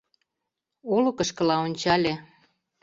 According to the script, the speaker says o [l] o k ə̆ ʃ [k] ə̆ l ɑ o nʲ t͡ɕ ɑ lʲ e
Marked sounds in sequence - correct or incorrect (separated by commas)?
correct, correct